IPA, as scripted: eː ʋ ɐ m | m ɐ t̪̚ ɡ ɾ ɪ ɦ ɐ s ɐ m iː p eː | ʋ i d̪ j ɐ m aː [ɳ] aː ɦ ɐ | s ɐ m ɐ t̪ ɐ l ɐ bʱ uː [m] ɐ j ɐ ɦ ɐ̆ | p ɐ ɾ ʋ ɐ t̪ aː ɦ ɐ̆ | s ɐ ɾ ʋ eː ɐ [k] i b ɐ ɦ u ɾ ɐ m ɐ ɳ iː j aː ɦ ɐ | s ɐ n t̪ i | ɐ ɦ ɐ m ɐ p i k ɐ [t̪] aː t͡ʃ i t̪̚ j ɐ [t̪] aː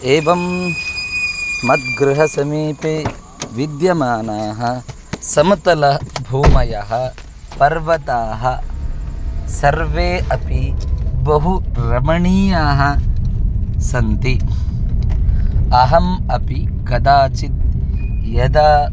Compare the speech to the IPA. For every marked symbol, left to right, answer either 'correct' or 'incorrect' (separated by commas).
incorrect, correct, incorrect, incorrect, incorrect